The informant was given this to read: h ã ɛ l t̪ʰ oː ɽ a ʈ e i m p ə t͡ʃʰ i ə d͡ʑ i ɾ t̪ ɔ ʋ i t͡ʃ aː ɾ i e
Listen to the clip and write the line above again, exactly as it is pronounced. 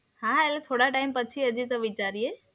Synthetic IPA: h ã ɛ l t̪ʰ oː ɽ a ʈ a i m p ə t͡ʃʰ i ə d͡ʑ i t̪ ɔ ʋ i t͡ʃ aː ɾ i e